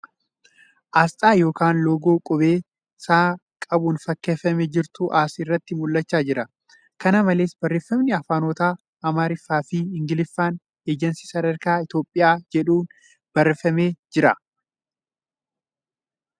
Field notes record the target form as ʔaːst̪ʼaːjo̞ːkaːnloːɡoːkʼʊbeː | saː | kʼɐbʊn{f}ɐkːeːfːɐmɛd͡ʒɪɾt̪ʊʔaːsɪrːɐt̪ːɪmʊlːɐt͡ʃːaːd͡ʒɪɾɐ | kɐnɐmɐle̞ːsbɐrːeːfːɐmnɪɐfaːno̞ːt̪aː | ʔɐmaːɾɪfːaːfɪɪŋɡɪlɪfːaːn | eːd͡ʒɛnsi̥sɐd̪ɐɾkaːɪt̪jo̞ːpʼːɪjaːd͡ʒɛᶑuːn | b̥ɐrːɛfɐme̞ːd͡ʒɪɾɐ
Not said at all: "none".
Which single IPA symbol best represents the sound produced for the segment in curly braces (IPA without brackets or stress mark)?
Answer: f